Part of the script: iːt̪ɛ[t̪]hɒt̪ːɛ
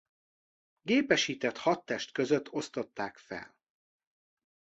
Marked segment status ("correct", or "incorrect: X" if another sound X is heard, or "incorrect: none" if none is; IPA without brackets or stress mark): correct